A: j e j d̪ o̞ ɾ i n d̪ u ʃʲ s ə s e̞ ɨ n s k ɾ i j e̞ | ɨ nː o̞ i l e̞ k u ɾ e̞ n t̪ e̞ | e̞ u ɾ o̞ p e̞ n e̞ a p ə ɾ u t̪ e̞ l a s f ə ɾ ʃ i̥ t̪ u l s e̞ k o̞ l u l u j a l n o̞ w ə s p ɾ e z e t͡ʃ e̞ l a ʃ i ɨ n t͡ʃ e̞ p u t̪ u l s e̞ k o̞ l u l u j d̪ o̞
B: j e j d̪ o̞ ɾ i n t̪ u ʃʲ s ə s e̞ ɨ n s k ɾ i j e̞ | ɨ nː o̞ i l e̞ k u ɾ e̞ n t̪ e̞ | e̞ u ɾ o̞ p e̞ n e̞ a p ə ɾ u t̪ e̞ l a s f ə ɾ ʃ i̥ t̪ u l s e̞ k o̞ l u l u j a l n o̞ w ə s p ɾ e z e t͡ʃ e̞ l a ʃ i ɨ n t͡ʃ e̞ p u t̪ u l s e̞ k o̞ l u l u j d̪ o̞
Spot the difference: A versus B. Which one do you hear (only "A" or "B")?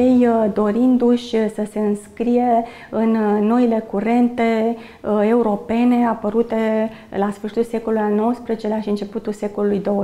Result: A